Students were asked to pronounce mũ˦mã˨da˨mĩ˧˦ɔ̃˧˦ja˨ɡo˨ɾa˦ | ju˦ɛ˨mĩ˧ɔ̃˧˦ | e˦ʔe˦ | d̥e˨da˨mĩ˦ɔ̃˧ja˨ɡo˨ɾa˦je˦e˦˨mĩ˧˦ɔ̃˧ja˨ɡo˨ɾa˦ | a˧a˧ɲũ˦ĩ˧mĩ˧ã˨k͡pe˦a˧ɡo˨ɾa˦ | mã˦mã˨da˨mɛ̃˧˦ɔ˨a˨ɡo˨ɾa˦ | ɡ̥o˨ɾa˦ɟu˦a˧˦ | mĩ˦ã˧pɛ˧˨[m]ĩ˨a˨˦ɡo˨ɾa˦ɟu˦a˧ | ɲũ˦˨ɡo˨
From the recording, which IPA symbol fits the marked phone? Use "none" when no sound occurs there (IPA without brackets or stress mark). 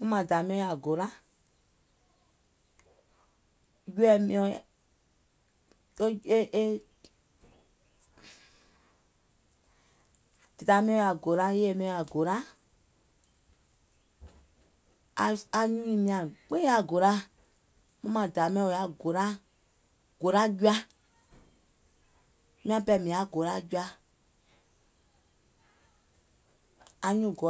m